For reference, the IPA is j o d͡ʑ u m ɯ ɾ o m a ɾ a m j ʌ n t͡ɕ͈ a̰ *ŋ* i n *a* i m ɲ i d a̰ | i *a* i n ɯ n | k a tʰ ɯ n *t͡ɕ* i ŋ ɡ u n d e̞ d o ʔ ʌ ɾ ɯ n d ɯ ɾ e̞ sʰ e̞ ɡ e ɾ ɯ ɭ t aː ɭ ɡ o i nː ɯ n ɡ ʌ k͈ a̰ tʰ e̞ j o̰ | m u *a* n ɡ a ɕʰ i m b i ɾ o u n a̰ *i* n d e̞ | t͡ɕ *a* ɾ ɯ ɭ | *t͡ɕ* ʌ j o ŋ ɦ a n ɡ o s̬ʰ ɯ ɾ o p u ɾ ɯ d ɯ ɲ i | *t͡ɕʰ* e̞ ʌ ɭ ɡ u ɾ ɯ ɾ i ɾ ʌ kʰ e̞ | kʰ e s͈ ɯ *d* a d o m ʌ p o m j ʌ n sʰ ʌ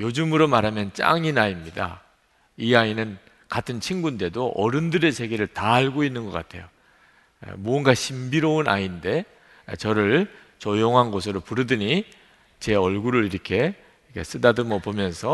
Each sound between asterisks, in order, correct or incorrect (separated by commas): correct, correct, correct, incorrect, incorrect, correct, incorrect, correct, incorrect, correct